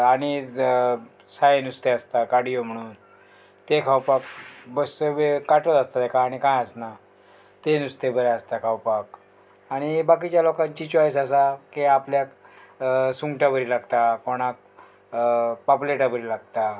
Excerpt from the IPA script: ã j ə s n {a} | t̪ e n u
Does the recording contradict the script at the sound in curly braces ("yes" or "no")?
no